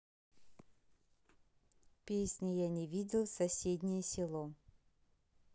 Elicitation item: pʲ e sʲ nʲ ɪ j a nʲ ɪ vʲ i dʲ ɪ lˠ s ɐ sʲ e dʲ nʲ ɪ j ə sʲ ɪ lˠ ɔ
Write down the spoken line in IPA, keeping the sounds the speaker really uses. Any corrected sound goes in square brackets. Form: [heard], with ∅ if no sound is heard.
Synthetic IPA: pʲ e sʲ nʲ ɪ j a nʲ ɪ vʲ i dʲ ɪ lˠ s ɐ sʲ e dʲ nʲ ɪ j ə sʲ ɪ lˠ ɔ